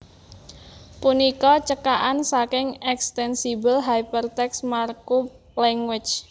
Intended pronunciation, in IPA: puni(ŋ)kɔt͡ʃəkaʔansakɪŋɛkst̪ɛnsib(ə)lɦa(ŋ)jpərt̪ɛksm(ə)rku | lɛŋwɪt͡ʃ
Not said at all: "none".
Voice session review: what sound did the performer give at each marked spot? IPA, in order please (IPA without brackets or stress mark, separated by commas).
none, ə, none, a